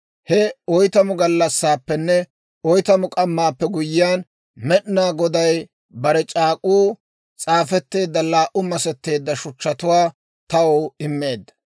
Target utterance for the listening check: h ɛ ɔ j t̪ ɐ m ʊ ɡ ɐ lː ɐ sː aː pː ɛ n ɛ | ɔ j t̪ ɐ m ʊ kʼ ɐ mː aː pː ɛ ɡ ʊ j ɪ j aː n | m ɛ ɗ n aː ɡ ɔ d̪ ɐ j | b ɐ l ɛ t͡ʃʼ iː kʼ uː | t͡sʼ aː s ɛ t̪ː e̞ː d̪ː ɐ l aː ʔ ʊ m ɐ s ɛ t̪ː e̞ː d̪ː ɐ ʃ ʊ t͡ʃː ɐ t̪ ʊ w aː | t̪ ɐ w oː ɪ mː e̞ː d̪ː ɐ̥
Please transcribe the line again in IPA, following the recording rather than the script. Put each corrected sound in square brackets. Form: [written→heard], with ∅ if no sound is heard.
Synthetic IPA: h ɛ ɔ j t̪ ɐ m ʊ ɡ ɐ lː ɐ sː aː pː ɛ [n→nː] ɛ | ɔ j t̪ ɐ m ʊ kʼ ɐ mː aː pː ɛ ɡ ʊ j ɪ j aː n | m ɛ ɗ n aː ɡ ɔ d̪ ɐ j | b ɐ [l→ɾ] ɛ t͡ʃʼ [iː→aː] kʼ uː | t͡sʼ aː [s→f] ɛ t̪ː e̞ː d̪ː ɐ l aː ʔ ʊ m ɐ s ɛ t̪ː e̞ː d̪ː ɐ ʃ ʊ t͡ʃː ɐ t̪ ʊ w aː | t̪ ɐ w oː ɪ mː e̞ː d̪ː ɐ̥